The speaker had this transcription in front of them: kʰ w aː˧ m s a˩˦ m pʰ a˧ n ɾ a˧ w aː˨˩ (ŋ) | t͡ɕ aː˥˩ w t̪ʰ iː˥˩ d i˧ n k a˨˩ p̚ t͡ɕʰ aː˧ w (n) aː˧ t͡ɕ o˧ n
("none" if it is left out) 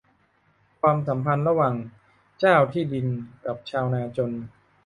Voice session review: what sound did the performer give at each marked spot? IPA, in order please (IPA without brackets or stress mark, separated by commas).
ŋ, n